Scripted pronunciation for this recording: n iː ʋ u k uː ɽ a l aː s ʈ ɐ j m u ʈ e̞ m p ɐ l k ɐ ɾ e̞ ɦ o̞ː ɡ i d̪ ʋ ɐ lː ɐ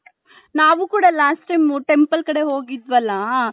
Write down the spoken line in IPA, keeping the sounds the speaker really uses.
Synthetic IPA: n aː ʋ u k uː ɽ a l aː s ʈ ɐ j m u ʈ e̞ m p ɐ l k ɐ ɽ e̞ ɦ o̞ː ɡ i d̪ ʋ ɐ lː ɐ